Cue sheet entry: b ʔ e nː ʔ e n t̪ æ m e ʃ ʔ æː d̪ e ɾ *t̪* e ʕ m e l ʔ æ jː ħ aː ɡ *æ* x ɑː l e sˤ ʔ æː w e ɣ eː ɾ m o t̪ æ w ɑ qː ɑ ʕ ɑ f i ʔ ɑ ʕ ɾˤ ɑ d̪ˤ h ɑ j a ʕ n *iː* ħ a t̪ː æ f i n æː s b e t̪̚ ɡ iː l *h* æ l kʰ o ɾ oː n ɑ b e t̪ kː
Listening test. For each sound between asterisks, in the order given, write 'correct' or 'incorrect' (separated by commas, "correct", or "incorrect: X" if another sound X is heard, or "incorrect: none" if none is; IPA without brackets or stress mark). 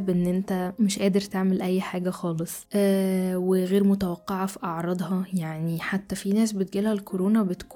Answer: correct, correct, incorrect: i, correct